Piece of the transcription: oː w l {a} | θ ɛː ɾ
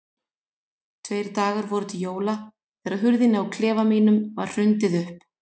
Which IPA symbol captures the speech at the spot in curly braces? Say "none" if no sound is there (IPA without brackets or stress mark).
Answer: a